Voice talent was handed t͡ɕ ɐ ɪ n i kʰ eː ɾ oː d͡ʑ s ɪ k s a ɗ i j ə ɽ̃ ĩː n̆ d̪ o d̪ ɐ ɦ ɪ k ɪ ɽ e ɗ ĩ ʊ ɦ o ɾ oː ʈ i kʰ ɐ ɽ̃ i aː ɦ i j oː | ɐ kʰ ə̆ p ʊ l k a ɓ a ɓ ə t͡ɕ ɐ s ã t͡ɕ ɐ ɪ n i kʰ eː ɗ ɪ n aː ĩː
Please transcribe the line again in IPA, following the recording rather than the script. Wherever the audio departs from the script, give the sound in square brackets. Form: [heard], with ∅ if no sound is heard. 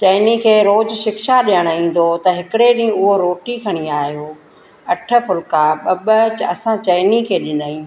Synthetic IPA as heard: t͡ɕ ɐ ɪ n i kʰ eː ɾ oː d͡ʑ [ʃ] ɪ k [ʃ] a ɗ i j ə ɽ̃ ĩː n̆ d̪ o [t̪] ɐ ɦ ɪ k ɪ ɽ e ɗ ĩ ʊ ɦ o ɾ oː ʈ i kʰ ɐ ɽ̃ i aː ɦ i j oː | ɐ [ʈʰ] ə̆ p ʊ l k a ɓ [ɐ] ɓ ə t͡ɕ ɐ s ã t͡ɕ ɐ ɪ n i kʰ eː ɗ ɪ n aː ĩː